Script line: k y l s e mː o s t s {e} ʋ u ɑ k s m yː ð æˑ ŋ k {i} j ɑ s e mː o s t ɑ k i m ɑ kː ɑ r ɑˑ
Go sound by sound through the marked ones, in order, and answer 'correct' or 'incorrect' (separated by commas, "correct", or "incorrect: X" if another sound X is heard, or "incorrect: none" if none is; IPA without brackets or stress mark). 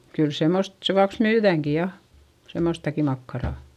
correct, correct